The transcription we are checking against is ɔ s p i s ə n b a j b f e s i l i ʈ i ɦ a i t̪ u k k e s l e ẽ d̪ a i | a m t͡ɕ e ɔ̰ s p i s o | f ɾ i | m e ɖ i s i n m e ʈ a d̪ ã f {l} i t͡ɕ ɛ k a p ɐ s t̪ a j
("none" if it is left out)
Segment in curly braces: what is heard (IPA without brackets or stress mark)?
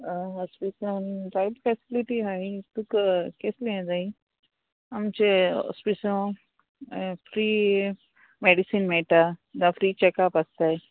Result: ɾ